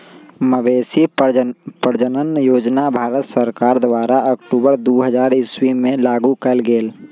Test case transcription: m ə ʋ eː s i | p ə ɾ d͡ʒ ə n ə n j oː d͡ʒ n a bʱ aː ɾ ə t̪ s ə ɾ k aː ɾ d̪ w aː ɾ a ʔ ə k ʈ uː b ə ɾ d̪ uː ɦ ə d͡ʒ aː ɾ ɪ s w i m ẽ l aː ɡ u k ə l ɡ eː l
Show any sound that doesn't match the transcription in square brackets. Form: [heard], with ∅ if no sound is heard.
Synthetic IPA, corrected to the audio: m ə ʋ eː s i | p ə ɾ d͡ʒ ə n ə n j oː d͡ʒ n a bʱ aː ɾ ə t̪ s ə ɾ k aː ɾ d̪ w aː ɾ a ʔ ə k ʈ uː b ə ɾ d̪ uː ɦ ə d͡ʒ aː ɾ ɪ s w i m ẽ l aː ɡ u k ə l ɡ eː l